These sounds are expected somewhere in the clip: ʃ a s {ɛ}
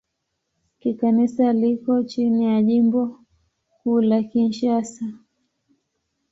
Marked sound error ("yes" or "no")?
yes